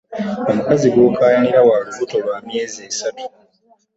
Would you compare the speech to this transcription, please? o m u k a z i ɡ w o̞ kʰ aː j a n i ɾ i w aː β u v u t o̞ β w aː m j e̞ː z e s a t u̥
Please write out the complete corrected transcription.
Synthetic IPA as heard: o m u k a z i ɡ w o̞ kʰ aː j a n i ɾ a w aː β u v u t o̞ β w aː m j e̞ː z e s a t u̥